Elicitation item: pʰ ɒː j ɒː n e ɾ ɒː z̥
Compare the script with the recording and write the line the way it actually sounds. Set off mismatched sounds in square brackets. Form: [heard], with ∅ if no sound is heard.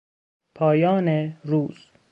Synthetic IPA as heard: pʰ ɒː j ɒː n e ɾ [uː] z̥